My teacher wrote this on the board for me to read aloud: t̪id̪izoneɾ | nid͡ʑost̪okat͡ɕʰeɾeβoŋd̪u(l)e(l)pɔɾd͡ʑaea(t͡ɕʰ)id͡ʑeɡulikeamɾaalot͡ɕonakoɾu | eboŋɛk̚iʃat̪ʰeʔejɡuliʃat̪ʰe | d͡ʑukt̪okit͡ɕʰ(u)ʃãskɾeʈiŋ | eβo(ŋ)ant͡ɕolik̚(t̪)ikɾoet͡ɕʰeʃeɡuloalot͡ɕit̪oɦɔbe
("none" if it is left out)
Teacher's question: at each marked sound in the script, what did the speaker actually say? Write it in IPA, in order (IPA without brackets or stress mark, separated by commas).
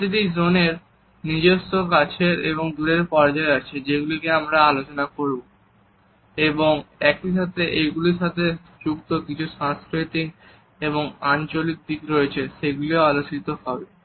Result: ɾ, ɾ, t͡ɕʰ, u, ŋ, d̪